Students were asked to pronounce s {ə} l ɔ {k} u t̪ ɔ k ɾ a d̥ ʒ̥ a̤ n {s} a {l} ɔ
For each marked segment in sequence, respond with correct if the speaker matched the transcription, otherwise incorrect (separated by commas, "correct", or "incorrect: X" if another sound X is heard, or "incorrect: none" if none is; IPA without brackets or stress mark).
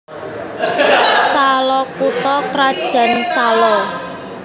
incorrect: a, correct, correct, correct